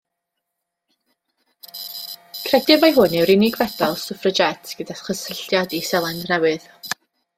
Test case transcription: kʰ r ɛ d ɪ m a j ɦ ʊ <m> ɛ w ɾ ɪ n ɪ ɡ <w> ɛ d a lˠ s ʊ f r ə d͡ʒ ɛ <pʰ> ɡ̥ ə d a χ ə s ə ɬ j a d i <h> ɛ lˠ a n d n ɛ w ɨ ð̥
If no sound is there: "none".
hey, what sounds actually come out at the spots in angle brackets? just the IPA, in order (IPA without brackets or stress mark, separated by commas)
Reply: n, v, tʰ, s